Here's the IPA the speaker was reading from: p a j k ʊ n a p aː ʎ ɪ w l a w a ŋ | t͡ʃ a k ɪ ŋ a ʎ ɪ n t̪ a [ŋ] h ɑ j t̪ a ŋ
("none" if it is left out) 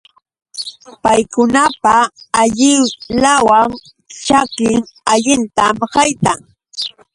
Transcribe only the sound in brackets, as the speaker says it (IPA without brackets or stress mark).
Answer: m